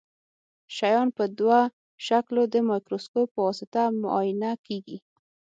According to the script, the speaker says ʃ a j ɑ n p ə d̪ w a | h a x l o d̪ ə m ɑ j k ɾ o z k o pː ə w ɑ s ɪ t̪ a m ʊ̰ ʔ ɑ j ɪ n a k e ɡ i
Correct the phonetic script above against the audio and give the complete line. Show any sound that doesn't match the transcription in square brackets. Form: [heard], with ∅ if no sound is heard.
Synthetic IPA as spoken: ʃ a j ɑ n p ə d̪ w a | [ʃ] a [k] l o d̪ ə m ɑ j k ɾ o [s] k o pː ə w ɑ s ɪ t̪ a m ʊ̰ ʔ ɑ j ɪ n a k e ɡ i